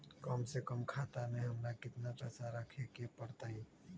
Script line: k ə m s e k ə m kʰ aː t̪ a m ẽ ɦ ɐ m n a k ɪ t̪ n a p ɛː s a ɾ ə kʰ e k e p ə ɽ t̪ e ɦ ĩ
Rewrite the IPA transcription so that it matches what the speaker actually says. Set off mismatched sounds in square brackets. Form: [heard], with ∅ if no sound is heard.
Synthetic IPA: k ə m s e k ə m kʰ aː t̪ a m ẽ ɦ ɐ m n a k ɪ t̪ n a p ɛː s a ɾ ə kʰ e k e p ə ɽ t̪ [a] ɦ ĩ

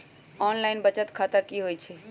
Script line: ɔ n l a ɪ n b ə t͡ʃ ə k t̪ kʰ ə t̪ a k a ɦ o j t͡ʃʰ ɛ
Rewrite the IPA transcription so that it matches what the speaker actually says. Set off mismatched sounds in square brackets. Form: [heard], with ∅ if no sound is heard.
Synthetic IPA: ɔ n l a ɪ n b ə t͡ʃ ə [∅] t̪ kʰ [a] t̪ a k [i] ɦ o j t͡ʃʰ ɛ

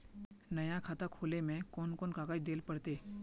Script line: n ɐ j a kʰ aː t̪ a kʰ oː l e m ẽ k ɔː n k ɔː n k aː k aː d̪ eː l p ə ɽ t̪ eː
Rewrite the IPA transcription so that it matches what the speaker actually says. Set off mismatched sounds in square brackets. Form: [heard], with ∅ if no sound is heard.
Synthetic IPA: n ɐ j a kʰ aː t̪ a kʰ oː l e m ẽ k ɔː n k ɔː n k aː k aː d̪ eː l p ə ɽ t̪ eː

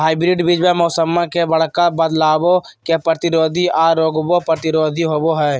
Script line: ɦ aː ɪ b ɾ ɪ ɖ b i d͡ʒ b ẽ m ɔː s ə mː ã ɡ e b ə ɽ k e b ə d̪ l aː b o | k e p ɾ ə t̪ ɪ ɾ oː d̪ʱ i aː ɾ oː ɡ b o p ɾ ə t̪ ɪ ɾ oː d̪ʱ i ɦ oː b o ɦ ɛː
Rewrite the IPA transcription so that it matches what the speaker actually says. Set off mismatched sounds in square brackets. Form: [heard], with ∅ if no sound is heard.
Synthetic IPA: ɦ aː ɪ b ɾ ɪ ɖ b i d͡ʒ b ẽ m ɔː s ə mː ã [k] e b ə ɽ k [a] b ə d̪ l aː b o | k e p ɾ ə t̪ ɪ ɾ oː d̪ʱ i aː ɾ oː ɡ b o p ɾ ə t̪ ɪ ɾ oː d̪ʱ i ɦ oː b o ɦ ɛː

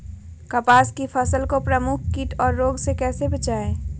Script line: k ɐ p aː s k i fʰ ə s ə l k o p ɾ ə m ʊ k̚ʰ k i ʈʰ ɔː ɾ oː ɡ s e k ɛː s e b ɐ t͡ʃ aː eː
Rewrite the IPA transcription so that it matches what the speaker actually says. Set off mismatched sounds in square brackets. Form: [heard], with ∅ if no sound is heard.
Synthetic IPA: k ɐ p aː s k i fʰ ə s ə l k o p ɾ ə m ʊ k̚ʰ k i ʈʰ ɔː [ɾː] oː ɡ s e k ɛː s e b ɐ t͡ʃ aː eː

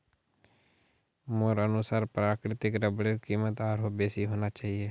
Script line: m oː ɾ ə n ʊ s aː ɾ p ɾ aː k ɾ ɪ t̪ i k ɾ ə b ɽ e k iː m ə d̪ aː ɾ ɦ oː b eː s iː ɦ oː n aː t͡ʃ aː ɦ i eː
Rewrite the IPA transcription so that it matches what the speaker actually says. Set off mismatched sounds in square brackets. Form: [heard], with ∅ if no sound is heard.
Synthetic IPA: m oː ɾ ə n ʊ s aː ɾ p ɾ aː k ɾ ɪ t̪ [ɪ] k ɾ ə b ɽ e k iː m ə [t̪] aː ɾ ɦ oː b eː s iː ɦ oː n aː t͡ʃ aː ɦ i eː

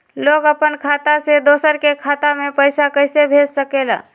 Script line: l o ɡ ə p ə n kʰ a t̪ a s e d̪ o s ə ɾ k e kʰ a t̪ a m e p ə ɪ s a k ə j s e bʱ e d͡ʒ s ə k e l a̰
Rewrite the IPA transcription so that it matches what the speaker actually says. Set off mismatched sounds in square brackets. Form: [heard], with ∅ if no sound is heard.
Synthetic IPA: l o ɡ ə p ə n kʰ a t̪ a s e d̪ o s ə ɾ k e kʰ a t̪ a m e p ə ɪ s a k ə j s e bʱ e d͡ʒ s ə k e l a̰

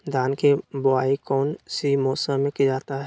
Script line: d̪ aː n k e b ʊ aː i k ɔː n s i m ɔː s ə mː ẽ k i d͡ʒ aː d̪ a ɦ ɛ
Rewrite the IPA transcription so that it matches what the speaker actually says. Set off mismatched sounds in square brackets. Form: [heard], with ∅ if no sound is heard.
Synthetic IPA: d̪ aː n k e b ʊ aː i k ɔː n s i m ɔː s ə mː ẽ k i d͡ʒ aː [t̪] a ɦ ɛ

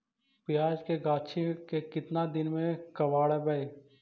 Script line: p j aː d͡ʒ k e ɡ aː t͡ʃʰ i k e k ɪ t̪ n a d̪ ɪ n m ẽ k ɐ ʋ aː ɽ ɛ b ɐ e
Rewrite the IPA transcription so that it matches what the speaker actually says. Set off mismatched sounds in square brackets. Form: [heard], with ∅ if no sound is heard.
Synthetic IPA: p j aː d͡ʒ k e ɡ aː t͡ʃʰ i k e k ɪ t̪ n a d̪ ɪ n m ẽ k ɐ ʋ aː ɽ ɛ b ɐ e

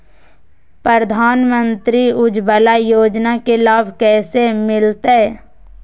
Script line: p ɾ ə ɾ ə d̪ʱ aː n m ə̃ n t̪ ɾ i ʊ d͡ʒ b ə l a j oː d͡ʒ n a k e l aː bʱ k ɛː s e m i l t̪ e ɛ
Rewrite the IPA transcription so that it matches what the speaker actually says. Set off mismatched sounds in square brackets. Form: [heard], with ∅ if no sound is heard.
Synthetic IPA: p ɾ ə ɾ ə d̪ʱ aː n m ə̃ n t̪ ɾ i ʊ d͡ʒ b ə l a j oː d͡ʒ n a k e l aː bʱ k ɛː s e m [ɪ] l t̪ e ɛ

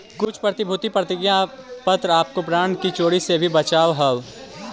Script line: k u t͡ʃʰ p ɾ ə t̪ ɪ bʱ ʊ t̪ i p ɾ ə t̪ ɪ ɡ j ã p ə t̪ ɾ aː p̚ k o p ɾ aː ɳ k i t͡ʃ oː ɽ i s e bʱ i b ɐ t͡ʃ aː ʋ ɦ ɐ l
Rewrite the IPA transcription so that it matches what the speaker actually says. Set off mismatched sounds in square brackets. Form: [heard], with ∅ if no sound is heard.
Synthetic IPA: k [ʊ] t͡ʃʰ p ɾ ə t̪ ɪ bʱ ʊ t̪ i p ɾ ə t̪ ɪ ɡ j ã p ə t̪ ɾ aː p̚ k o p ɾ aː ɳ k i t͡ʃ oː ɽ i s e bʱ i b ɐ t͡ʃ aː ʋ ɦ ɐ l

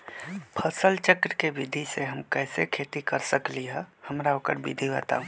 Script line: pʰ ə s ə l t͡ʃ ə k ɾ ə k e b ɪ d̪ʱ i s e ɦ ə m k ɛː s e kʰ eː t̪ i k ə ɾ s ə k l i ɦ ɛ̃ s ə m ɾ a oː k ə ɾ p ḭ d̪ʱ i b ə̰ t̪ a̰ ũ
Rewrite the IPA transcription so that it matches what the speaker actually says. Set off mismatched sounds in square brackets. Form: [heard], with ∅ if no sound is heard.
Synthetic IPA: pʰ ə s ə l t͡ʃ ə k ɾ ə k e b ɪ d̪ʱ i s e ɦ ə m k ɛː s e kʰ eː t̪ i k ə ɾ s ə k l i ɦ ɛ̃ [h] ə m ɾ a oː k ə ɾ [b] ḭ d̪ʱ i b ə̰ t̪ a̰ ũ

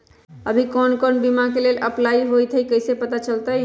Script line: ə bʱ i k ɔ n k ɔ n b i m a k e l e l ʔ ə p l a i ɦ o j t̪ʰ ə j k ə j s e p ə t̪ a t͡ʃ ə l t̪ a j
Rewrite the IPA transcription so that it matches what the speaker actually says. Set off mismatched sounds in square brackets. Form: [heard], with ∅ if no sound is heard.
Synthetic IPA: ə bʱ i k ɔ n k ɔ n b i m a k e l e l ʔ ə p l a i ɦ o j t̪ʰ ə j k ə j s e p ə t̪ a t͡ʃ ə l t̪ [ə] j

